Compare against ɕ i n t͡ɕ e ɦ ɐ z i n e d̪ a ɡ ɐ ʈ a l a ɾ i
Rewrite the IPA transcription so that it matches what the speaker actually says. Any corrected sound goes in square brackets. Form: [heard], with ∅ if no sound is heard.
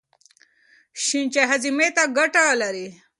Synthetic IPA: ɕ i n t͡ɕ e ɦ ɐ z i [m] e [t̪] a ɡ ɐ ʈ a l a ɾ i